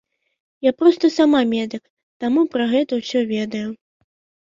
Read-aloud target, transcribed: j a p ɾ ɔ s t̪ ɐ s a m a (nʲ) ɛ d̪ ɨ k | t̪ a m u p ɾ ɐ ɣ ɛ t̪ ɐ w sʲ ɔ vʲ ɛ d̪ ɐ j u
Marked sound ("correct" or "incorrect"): incorrect